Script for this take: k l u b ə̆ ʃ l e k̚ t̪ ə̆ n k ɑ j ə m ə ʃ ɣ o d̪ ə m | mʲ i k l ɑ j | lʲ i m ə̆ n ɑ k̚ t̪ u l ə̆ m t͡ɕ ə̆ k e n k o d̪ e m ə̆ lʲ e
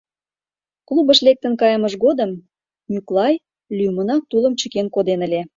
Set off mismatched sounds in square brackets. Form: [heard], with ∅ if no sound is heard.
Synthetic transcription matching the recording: k l u b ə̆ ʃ l e k̚ t̪ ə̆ n k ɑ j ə m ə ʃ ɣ o d̪ ə m | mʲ [y] k l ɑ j | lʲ [y] m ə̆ n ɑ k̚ t̪ u l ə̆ m t͡ɕ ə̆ k e n k o d̪ e [n] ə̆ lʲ e